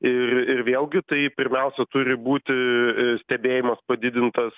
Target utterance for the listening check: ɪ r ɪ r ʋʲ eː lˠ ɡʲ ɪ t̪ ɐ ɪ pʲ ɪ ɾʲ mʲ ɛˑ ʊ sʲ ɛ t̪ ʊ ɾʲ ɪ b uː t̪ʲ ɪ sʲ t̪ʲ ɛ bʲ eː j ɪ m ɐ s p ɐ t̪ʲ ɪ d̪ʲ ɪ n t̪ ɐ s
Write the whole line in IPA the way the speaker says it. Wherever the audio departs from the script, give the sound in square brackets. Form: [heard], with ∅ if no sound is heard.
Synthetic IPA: ɪ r ɪ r ʋʲ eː lˠ ɡʲ ɪ t̪ ɐ ɪ pʲ ɪ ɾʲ mʲ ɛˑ ʊ sʲ ɛ t̪ ʊ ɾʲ ɪ b uː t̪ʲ ɪ sʲ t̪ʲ ɛ bʲ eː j ɪ m ɐ s p ɐ [d̪ʲ] ɪ d̪ʲ ɪ n t̪ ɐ s

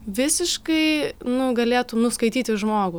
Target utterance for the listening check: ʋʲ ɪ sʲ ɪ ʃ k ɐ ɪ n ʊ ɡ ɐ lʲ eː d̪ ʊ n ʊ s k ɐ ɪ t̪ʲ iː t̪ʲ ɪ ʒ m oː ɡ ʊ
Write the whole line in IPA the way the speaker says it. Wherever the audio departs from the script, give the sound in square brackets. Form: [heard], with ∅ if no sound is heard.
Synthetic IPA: ʋʲ ɪ sʲ ɪ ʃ k ɐ ɪ n ʊ ɡ ɐ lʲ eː [t̪] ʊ n ʊ s k ɐ ɪ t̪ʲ iː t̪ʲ ɪ ʒ m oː ɡ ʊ

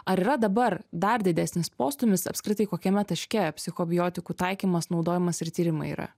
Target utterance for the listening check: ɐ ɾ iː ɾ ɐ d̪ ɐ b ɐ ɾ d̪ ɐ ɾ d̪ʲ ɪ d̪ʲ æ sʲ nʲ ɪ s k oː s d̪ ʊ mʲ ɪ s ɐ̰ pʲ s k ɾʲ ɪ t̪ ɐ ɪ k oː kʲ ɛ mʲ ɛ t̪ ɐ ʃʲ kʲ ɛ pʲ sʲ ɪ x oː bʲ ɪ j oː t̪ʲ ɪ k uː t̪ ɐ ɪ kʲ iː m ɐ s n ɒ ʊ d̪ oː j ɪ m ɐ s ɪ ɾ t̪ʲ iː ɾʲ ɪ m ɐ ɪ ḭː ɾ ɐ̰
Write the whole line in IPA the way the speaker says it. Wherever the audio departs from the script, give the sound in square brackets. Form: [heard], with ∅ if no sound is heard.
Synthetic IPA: ɐ ɾ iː ɾ ɐ d̪ ɐ b ɐ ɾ d̪ ɐ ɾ d̪ʲ ɪ d̪ʲ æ sʲ nʲ ɪ s [p] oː s [t̪] ʊ mʲ ɪ s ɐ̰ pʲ s k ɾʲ ɪ t̪ ɐ ɪ k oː kʲ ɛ mʲ ɛ t̪ ɐ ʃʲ kʲ ɛ pʲ sʲ ɪ x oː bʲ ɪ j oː t̪ʲ ɪ k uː t̪ ɐ ɪ kʲ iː m ɐ s n ɒ ʊ d̪ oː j ɪ m ɐ s ɪ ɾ t̪ʲ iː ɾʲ ɪ m ɐ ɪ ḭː ɾ ɐ̰

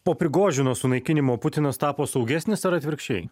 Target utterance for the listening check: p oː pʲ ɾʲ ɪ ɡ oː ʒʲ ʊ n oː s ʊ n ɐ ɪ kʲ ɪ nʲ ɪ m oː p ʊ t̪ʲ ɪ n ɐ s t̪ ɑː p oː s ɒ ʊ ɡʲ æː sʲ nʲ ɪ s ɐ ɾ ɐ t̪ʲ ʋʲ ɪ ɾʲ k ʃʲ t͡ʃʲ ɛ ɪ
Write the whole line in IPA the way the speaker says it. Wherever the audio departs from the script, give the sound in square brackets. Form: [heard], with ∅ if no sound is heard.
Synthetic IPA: p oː pʲ ɾʲ ɪ ɡ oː ʒʲ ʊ n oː s ʊ n ɐ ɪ kʲ ɪ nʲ ɪ m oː p ʊ t̪ʲ ɪ n ɐ s t̪ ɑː p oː s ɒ ʊ ɡʲ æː sʲ nʲ ɪ s ɐ ɾ ɐ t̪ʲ ʋʲ ɪ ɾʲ k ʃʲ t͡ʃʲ ɛ ɪ

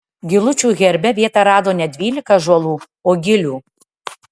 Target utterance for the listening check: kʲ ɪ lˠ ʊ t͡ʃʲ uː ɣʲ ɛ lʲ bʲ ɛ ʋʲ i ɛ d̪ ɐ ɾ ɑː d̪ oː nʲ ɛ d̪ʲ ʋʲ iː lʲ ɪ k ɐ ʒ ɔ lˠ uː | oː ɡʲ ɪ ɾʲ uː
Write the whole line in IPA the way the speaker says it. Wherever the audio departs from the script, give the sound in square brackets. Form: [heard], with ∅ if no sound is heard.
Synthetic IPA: [ɡʲ] ɪ lˠ ʊ t͡ʃʲ uː ɣʲ ɛ [ɾʲ] bʲ ɛ ʋʲ i ɛ [t̪] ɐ ɾ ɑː d̪ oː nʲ ɛ d̪ʲ ʋʲ iː lʲ ɪ k ɐ ʒ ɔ lˠ uː | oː ɡʲ ɪ [lʲ] uː

